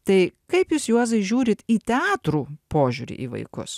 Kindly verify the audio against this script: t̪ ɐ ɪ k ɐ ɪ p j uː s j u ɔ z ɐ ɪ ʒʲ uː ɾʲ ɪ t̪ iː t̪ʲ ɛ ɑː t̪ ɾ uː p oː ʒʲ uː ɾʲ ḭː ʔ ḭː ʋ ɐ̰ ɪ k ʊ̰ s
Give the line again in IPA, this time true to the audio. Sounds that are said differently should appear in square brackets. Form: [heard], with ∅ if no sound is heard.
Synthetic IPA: t̪ ɐ ɪ k ɐ ɪ p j uː s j u ɔ z ɐ ɪ ʒʲ uː ɾʲ ɪ t̪ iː t̪ʲ ɛ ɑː t̪ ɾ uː p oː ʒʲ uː ɾʲ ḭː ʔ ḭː ʋ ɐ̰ ɪ k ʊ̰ s